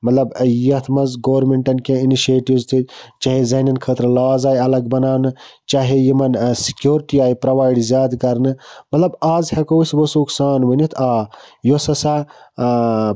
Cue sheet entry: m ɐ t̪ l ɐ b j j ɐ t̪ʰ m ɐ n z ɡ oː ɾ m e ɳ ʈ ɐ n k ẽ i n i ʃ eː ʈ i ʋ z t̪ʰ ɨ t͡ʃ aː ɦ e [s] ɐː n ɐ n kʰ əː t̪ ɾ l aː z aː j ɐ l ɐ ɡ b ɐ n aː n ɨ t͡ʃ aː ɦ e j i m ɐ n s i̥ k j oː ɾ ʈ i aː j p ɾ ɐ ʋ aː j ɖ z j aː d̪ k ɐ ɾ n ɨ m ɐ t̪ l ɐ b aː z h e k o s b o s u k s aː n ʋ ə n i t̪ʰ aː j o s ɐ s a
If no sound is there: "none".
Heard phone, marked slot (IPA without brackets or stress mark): z